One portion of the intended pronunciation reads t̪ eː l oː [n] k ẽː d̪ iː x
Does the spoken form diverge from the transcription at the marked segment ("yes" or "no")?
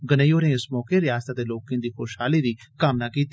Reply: yes